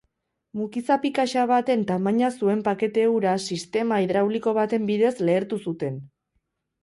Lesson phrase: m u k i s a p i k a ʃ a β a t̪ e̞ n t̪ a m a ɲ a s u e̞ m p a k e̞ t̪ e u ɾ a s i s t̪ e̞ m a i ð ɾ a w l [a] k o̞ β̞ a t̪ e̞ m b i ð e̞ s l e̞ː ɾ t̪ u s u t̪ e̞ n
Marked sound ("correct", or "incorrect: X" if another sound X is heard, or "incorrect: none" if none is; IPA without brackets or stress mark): incorrect: i